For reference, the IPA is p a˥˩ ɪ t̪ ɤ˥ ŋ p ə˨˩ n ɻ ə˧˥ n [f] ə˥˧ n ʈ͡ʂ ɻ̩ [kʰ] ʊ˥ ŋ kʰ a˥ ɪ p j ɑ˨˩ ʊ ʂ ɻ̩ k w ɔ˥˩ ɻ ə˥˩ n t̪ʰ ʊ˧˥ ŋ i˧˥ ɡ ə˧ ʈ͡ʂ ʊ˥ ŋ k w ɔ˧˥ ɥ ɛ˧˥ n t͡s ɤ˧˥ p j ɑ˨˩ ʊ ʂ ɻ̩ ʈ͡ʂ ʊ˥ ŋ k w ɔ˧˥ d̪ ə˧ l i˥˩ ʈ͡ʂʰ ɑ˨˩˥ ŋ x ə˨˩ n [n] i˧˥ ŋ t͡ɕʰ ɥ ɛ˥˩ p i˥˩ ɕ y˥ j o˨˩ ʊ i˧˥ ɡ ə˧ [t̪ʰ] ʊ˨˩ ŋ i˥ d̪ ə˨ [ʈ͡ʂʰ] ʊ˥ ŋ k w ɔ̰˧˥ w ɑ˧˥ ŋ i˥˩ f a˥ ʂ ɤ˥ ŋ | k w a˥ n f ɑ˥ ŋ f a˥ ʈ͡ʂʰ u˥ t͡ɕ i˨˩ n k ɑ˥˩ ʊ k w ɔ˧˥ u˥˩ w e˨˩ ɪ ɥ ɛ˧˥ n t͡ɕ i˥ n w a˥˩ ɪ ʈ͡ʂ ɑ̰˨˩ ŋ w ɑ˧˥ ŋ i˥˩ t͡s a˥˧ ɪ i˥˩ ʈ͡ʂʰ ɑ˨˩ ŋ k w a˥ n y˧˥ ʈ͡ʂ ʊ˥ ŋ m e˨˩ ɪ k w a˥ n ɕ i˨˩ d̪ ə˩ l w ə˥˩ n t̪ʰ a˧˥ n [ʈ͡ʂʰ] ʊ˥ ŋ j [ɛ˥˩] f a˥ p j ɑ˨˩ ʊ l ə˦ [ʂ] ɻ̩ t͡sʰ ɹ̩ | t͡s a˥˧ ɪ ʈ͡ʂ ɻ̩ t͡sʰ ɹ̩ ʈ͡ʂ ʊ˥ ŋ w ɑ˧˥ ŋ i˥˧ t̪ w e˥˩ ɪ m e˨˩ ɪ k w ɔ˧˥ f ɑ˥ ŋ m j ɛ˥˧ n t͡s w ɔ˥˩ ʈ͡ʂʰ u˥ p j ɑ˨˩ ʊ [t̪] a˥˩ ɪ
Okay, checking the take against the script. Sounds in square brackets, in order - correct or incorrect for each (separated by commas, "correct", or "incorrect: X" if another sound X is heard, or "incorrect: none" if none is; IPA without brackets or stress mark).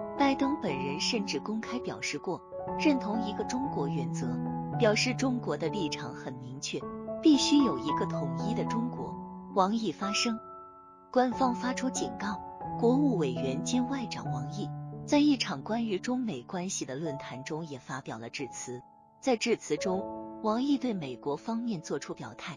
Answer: incorrect: ʂ, incorrect: k, incorrect: m, correct, incorrect: ʈ͡ʂ, incorrect: ʈ͡ʂ, incorrect: ɛ˨˩, incorrect: ʈ͡ʂ, incorrect: t̪ʰ